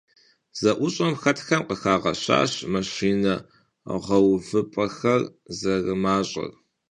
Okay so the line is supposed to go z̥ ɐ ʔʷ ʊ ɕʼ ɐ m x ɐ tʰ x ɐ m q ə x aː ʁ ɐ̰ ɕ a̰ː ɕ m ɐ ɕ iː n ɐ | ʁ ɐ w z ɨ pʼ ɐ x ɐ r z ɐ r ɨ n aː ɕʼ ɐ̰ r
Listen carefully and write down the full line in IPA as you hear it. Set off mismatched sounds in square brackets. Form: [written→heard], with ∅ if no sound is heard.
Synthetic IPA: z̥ ɐ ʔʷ ʊ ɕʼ ɐ m x ɐ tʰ x ɐ m q ə x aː ʁ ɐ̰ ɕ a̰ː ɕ m ɐ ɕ iː n ɐ | ʁ ɐ w [z→v] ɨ pʼ ɐ x ɐ r z ɐ r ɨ [n→m] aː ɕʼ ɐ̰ r